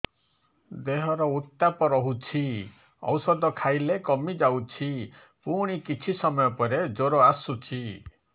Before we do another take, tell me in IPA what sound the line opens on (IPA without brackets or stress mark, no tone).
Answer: d̪